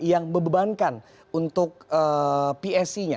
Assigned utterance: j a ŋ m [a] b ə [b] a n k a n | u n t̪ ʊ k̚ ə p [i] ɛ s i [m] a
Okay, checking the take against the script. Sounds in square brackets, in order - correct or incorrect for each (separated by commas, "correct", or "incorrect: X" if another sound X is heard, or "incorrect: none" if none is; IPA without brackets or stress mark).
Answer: incorrect: ə, correct, correct, incorrect: ɲ